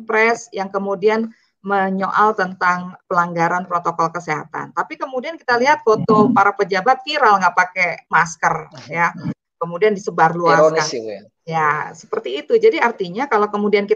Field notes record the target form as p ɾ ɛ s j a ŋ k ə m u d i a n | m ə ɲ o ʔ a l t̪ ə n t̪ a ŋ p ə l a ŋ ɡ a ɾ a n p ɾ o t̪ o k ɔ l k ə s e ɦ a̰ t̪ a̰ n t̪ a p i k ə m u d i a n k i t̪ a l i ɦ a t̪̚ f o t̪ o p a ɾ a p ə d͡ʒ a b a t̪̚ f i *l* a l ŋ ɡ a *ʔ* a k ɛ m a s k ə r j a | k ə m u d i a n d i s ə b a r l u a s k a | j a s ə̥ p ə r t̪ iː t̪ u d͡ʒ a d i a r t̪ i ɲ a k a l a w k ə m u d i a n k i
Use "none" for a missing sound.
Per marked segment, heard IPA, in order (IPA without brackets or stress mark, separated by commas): ɾ, p